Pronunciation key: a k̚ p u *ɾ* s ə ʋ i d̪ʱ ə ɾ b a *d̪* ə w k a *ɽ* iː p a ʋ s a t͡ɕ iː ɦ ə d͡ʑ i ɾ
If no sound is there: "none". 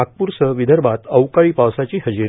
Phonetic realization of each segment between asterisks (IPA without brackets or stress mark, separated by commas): ɾ, t̪, ɭ